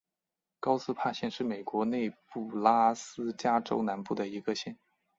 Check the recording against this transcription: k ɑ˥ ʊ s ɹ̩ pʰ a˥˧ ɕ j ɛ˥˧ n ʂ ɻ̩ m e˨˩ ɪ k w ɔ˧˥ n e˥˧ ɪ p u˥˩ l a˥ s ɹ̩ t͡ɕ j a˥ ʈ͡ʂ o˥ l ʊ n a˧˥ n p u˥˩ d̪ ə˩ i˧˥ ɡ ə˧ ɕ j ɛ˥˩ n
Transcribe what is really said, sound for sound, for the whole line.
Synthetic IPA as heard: k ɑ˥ ʊ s ɹ̩ pʰ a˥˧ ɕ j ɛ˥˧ n ʂ ɻ̩ m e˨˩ ɪ k w ɔ˧˥ n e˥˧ ɪ p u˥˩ l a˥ s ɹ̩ t͡ɕ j a˥ ʈ͡ʂ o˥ ʊ n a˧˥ n p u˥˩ d̪ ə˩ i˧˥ ɡ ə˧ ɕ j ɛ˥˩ n